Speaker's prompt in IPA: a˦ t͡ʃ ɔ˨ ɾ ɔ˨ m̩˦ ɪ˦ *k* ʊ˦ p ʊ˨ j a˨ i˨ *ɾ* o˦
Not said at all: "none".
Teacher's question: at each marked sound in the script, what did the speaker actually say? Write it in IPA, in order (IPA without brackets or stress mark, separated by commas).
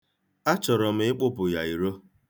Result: k͡p, ɾ